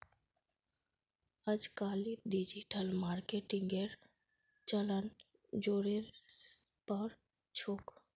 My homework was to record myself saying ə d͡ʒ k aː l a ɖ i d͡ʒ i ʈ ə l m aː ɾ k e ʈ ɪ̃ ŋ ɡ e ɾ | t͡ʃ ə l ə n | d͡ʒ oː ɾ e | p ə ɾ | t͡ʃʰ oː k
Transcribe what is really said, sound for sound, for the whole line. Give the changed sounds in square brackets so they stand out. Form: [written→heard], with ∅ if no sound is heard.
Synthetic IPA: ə d͡ʒ k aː l [a→i] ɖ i d͡ʒ i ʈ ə l m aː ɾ k e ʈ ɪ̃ ŋ ɡ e ɾ | t͡ʃ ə l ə n | d͡ʒ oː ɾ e | p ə ɾ | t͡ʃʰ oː k